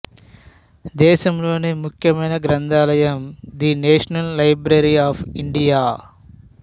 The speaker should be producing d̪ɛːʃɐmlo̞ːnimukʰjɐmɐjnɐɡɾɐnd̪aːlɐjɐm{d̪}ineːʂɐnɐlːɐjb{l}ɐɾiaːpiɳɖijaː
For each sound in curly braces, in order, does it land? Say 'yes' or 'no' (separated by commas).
yes, no